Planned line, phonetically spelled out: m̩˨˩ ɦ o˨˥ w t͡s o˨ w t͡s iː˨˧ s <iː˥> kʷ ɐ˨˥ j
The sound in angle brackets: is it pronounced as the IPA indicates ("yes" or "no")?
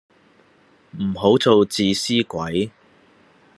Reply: yes